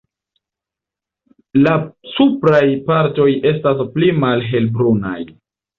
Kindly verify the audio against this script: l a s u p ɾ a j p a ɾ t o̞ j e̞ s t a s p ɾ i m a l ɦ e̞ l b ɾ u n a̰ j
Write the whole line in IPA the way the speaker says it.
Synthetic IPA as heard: l a s u p ɾ a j p a ɾ t o̞ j e̞ s t a s p l i m a l ɦ e̞ l b ɾ u n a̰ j

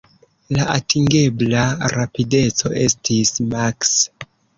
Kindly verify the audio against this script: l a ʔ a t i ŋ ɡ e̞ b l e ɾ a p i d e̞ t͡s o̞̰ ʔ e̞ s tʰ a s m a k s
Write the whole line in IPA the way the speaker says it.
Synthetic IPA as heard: l a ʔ a t i ŋ ɡ e̞ b l a ɾ a p i d e̞ t͡s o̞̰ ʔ e̞ s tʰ i s m a k s

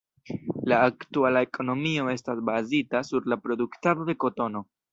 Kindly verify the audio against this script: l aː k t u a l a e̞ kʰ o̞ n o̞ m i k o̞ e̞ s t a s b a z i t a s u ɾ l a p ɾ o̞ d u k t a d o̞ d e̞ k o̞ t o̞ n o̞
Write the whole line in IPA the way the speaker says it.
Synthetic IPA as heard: l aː k t u a l a e̞ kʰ o̞ n o̞ m i o̞ e̞ s t a s b a z i t a s u ɾ l a p ɾ o̞ d u k t a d o̞ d e̞ k o̞ t o̞ n o̞

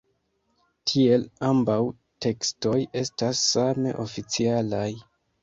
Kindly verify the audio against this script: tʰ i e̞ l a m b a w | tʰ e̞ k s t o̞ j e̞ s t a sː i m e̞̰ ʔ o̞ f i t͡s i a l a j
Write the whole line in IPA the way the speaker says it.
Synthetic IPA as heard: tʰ i e̞ l a m b a w | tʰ e̞ k s t o̞ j e̞ s t a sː a m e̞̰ ʔ o̞ f i t͡s i a l a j

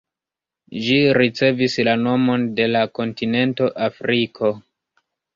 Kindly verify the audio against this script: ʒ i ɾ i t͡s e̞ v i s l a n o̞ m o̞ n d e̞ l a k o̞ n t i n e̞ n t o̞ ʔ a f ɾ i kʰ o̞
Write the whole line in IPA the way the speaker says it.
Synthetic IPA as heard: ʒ i ɾ i t͡s e̞ v i s l a n o̞ m o̞ n d e̞ l a k o̞ n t i n e̞ n t o̞ ʔ a f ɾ i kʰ o̞

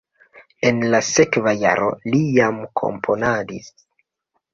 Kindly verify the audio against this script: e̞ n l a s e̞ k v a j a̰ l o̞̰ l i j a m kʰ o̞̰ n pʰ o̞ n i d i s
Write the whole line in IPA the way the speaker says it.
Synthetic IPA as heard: e̞ n l a s e̞ k v a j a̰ ɾ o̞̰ l i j a m kʰ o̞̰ m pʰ o̞ n a d i s

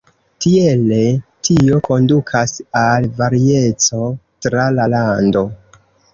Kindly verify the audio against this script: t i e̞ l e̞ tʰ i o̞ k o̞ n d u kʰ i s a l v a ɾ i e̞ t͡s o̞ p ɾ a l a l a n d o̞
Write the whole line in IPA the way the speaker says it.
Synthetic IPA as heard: t i e̞ l e̞ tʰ i o̞ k o̞ n d u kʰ a s a l v a ɾ i e̞ t͡s o̞ t ɾ a l a l a n d o̞

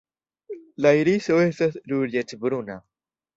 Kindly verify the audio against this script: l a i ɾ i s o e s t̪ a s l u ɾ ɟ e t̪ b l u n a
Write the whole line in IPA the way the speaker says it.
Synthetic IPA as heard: l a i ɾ i s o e s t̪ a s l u ɾ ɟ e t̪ b ɾ u n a

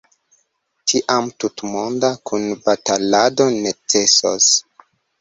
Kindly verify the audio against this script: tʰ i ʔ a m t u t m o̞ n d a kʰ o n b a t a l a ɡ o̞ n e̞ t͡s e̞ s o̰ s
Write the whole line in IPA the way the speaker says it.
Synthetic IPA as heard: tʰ i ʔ a m t u t m o̞ n d a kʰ u n b a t a l a d o̞ n e̞ t͡s e̞ s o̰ s

